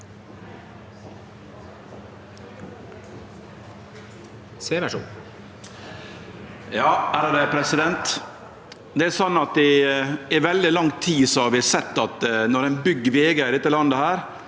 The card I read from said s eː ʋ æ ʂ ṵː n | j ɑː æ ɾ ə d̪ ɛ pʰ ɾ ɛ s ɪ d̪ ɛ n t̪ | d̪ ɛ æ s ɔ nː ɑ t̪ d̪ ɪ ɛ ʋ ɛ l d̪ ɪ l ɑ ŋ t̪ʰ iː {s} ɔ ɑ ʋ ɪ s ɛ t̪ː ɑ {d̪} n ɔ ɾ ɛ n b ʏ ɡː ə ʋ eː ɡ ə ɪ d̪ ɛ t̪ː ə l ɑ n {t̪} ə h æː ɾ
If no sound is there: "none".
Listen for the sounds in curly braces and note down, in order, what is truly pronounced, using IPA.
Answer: s, t̪, d̪

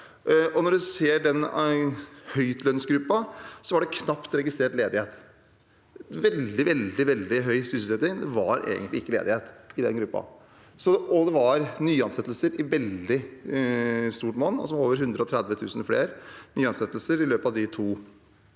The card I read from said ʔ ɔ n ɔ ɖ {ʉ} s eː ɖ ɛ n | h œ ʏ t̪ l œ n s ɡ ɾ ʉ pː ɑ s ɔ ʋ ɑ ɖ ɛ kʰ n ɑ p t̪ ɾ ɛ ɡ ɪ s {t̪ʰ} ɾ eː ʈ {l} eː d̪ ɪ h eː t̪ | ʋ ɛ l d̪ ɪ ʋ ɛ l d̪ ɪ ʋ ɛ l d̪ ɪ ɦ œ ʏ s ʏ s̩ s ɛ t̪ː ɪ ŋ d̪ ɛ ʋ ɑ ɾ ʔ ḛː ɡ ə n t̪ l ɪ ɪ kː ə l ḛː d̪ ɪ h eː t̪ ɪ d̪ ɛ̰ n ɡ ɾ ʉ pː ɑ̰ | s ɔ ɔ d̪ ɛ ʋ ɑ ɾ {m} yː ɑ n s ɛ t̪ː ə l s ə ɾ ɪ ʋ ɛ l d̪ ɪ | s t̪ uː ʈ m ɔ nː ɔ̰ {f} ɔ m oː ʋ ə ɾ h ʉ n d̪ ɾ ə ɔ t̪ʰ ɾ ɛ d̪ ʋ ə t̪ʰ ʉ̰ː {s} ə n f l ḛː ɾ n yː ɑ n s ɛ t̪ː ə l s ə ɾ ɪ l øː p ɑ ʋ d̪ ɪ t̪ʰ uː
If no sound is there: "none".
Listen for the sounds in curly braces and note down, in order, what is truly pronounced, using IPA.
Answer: ʉ, t̪, l, n, s, s

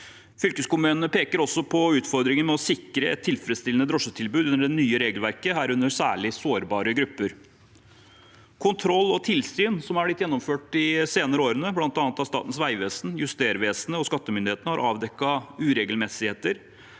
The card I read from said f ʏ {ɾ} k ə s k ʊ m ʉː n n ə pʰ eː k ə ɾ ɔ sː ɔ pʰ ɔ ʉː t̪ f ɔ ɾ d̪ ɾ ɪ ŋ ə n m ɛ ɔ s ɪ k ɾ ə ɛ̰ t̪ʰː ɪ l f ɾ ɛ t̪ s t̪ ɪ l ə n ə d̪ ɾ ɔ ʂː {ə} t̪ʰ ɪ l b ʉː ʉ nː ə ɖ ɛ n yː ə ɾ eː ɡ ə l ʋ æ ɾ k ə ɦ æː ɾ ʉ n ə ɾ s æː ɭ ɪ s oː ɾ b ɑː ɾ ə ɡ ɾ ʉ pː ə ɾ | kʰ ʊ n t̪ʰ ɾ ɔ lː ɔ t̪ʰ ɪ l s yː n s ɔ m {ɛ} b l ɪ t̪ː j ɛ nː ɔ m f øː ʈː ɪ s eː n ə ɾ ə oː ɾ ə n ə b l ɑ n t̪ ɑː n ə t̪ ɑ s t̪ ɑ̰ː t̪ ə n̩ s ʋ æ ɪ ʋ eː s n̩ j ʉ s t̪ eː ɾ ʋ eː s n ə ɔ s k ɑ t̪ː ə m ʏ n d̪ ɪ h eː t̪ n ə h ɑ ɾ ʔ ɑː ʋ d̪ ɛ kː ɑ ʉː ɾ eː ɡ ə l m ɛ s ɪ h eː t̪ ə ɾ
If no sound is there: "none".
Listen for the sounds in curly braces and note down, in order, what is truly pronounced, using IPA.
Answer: l, ə, æ

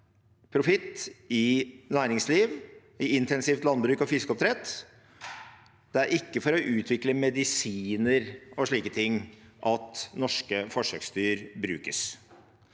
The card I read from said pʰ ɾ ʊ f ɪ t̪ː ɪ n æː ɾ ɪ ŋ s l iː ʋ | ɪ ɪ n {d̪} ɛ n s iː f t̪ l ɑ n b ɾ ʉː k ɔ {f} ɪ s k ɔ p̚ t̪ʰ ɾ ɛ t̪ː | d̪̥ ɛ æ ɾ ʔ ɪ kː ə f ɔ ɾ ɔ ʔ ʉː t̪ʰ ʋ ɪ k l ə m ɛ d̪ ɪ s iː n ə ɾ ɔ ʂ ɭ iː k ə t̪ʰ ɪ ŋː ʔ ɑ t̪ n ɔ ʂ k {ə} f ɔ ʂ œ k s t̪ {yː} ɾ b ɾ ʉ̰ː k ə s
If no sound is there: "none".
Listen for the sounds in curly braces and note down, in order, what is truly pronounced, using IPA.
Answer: t̪, f, ə, yː

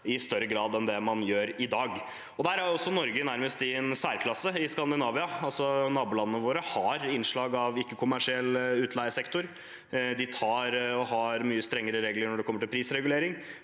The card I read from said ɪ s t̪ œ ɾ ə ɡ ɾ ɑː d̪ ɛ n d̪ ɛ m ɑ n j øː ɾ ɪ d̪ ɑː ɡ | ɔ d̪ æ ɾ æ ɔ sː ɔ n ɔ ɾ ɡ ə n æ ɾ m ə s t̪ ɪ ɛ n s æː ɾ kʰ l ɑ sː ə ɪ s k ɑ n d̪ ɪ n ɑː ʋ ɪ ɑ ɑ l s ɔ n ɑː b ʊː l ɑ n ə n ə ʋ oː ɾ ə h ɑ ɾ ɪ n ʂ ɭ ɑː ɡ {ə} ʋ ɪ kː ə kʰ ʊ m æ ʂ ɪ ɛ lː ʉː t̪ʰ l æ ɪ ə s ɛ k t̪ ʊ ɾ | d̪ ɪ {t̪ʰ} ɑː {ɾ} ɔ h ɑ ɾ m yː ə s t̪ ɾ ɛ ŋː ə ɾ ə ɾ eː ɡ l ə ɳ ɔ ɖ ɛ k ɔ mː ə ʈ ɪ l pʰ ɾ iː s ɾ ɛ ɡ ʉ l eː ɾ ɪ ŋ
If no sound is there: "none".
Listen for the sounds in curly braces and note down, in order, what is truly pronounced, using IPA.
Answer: ɑ, t̪ʰ, ɾ

